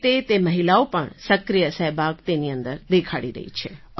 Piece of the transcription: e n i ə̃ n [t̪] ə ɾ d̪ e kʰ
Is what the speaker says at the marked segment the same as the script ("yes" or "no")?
no